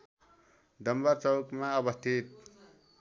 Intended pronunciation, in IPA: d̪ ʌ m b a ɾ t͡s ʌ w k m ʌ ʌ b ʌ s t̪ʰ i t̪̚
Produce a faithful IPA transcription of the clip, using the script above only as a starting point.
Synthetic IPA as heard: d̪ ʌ m b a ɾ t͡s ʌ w k m a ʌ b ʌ s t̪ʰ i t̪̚